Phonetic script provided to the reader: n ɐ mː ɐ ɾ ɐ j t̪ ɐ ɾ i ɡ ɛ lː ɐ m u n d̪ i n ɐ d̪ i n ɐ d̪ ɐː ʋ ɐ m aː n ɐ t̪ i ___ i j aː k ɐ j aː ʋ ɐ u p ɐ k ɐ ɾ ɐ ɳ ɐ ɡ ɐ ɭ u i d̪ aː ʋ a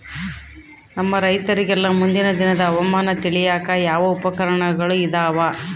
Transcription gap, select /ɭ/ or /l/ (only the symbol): ɭ